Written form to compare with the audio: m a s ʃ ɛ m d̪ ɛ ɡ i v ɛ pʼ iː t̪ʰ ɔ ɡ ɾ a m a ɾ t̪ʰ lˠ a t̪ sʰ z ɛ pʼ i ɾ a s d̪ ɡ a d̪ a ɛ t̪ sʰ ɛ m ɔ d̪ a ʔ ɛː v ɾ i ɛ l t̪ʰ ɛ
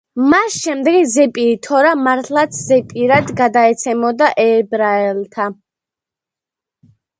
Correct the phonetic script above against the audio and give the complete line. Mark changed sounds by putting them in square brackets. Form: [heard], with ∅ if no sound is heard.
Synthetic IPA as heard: m a s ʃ ɛ m d̪ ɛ ɡ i [z] ɛ pʼ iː t̪ʰ ɔ [∅] ɾ a m a ɾ t̪ʰ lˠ a t̪ sʰ z ɛ pʼ i ɾ a [∅] d̪ ɡ a d̪ a ɛ t̪ sʰ ɛ m ɔ d̪ a ʔ ɛː [b] ɾ [a] ɛ l t̪ʰ [a]